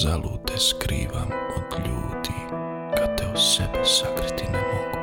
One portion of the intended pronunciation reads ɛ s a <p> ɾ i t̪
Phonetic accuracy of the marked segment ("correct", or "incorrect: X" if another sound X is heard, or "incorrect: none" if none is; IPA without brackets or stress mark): incorrect: k